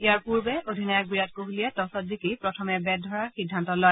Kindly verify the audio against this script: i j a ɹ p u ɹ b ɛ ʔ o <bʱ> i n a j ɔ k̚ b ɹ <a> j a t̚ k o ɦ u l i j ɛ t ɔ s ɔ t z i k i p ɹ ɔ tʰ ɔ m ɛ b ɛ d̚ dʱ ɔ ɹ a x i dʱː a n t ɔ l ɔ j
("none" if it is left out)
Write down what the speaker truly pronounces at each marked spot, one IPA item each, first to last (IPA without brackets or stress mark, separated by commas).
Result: dʱ, i